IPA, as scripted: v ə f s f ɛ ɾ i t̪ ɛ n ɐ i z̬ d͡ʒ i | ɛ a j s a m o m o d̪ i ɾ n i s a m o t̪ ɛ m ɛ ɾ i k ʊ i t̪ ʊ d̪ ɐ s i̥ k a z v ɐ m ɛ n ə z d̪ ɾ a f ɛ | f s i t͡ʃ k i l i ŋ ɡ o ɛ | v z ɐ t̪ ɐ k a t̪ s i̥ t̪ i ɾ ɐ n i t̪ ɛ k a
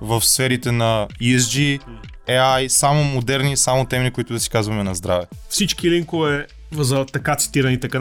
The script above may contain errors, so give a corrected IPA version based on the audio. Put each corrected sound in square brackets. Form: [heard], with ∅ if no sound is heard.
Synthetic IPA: v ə f s f ɛ ɾ i t̪ ɛ n ɐ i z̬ d͡ʒ i | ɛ a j s a m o m o d̪ [ɛ] ɾ n i s a m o t̪ ɛ m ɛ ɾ i k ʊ i t̪ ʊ d̪ ɐ s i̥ k a z v ɐ m ɛ n [ɐ] z d̪ ɾ a [v] ɛ | f s i t͡ʃ k i l i ŋ [k] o ɛ | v z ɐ t̪ ɐ k a t̪ s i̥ t̪ i ɾ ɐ n i t̪ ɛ k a